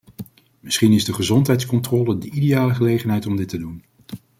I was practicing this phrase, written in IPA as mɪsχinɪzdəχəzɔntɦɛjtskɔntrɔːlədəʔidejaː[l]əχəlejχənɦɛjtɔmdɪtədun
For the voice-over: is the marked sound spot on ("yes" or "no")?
yes